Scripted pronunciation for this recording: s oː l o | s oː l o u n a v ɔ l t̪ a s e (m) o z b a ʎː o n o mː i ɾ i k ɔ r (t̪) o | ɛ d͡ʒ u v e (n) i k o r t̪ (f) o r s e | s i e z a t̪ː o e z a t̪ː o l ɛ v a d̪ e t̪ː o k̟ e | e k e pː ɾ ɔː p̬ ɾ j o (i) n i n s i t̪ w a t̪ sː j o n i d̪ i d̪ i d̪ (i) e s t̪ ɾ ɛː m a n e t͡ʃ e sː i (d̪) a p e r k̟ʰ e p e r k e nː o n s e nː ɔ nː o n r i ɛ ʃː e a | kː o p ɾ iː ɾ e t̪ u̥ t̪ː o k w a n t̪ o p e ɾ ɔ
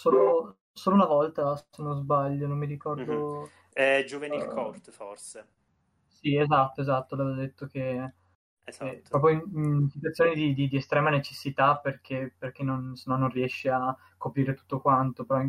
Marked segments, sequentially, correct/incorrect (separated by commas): incorrect, incorrect, correct, correct, correct, correct, incorrect